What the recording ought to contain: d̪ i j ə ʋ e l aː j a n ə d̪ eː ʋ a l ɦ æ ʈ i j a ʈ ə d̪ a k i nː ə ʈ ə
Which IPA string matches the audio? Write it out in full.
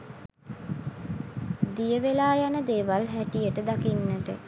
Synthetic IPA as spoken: d̪ i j ə ʋ e l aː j a n ə d̪ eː ʋ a l ɦ æ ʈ i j ə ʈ ə d̪ a k i nː ə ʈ ə